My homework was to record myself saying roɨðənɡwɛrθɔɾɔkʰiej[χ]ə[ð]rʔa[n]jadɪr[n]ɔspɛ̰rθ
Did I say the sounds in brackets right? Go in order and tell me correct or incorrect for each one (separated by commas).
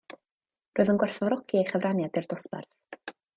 correct, incorrect, correct, incorrect